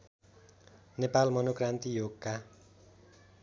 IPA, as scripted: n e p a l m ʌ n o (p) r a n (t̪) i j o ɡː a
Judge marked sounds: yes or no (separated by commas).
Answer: no, yes